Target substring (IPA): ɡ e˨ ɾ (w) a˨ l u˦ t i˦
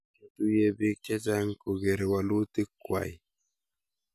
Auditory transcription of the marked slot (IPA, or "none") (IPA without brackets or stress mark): w